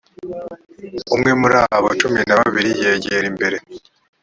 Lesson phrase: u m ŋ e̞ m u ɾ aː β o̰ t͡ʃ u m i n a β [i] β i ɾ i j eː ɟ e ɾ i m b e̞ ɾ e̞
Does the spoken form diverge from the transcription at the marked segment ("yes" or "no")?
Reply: yes